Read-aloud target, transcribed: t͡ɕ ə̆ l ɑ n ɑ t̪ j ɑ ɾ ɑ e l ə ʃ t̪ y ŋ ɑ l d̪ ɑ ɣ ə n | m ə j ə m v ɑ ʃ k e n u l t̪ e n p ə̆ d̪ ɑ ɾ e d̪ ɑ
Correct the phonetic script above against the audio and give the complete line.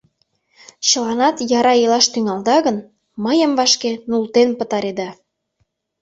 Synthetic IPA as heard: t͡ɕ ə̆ l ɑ n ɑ t̪ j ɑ ɾ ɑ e l ɑ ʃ t̪ y ŋ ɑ l d̪ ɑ ɣ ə n | m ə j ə m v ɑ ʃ k e n u l t̪ e n p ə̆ t̪ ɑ ɾ e d̪ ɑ